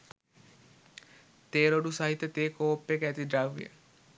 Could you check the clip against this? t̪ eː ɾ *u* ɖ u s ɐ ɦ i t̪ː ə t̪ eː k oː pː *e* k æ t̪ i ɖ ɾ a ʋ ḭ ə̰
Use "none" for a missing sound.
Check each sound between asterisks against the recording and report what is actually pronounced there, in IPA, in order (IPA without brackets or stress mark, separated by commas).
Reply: o, e